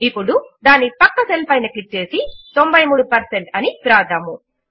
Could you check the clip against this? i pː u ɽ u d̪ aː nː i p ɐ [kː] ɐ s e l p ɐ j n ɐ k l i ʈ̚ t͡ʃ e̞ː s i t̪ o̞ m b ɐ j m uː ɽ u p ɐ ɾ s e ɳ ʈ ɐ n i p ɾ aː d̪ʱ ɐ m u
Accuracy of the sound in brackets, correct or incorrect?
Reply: correct